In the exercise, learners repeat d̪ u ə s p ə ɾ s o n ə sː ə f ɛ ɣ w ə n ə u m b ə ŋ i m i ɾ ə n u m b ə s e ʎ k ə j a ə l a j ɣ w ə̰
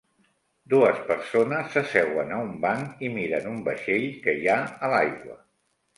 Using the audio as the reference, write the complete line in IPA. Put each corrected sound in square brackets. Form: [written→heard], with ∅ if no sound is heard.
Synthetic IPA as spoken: d̪ u ə s p ə ɾ s o n ə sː ə [f→s] ɛ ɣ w ə n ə u m b [ə→a] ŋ i m i ɾ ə n u m b ə [s→ʃ] e ʎ k ə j a ə l a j ɣ w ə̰